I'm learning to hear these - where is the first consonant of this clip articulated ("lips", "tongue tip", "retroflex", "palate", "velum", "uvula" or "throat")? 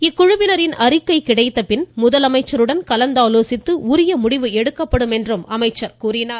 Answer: velum